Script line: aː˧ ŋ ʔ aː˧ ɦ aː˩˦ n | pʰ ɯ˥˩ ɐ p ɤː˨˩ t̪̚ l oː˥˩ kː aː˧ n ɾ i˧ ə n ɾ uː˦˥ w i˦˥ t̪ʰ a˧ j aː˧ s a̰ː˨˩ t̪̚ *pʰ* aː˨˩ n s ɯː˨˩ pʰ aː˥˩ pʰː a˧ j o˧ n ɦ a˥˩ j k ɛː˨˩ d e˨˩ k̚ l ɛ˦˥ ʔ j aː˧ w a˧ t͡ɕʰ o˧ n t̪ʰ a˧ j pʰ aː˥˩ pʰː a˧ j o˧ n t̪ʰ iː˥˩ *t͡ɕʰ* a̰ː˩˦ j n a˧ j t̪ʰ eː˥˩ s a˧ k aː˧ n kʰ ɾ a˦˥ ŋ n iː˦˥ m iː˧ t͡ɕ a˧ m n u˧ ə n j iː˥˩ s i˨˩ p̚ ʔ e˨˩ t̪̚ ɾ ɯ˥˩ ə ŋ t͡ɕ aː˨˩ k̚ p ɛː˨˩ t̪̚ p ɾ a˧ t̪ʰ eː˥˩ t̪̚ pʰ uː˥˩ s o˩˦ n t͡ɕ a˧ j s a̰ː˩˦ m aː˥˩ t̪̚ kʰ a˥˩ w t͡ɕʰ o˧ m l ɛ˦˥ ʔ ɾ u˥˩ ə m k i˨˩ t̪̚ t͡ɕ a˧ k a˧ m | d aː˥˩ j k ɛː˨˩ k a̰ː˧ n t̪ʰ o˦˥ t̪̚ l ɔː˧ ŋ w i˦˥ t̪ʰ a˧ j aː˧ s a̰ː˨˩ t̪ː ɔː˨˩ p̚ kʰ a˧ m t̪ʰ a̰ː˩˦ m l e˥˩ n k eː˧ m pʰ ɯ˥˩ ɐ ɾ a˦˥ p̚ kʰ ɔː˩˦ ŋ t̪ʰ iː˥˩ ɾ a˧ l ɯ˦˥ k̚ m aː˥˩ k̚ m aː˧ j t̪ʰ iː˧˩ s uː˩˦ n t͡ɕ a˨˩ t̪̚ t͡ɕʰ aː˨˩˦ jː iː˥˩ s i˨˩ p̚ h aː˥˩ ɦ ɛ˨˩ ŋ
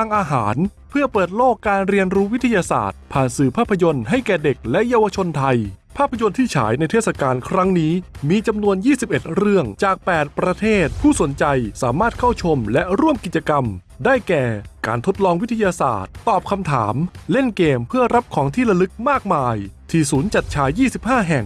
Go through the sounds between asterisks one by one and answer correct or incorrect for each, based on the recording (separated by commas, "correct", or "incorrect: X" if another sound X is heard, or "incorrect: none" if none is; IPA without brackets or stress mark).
correct, correct